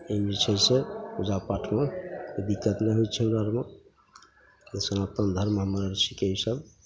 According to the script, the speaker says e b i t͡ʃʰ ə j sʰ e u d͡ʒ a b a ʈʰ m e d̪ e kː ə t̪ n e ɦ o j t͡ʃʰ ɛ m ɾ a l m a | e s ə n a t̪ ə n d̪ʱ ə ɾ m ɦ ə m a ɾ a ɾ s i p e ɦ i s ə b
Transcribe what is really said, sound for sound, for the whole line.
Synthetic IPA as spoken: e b i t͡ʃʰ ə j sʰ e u d͡ʒ a p a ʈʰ m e d̪ i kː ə t̪ n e ɦ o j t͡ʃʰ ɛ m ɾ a ɾ m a | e s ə n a t̪ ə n d̪ʱ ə ɾ m ɦ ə m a ɾ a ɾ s i k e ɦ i s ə b